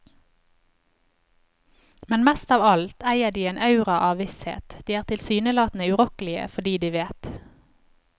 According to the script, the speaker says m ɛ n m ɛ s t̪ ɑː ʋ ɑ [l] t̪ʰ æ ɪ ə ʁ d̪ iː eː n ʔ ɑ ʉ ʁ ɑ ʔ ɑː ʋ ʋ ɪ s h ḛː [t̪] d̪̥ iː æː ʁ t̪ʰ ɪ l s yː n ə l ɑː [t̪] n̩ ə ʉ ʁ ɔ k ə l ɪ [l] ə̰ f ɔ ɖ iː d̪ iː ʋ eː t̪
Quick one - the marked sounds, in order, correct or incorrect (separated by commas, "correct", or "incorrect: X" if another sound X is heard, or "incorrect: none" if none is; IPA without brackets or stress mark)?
correct, correct, correct, incorrect: none